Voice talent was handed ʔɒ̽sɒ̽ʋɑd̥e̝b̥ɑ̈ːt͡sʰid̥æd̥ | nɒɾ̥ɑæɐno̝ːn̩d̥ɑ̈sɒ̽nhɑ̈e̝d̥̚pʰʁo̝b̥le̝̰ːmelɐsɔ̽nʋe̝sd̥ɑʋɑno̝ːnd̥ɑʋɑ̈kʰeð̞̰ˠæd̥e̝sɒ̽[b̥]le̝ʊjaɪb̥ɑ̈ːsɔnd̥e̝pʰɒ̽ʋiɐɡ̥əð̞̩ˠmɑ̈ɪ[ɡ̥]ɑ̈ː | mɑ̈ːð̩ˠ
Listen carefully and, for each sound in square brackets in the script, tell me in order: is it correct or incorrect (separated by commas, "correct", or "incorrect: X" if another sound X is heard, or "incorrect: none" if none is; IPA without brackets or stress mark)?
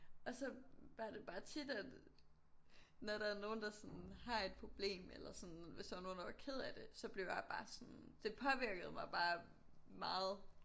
correct, incorrect: b̥